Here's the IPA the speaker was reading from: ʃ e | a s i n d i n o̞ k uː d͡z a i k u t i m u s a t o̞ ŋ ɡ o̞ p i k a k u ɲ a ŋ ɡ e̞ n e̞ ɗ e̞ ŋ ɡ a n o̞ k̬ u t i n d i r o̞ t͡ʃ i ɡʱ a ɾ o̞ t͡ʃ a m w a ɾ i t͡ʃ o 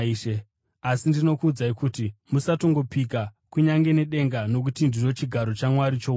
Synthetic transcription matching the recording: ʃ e | a s i n d i n o̞ k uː d͡z a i k u t i m u s a t o̞ ŋ ɡ o̞ p i k a k u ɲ a ŋ ɡ e̞ n e̞ ɗ e̞ ŋ ɡ a n o̞ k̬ u t i n d i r o̞ t͡ʃ i ɡʱ a ɾ o̞ t͡ʃ a m w a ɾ i t͡ʃ o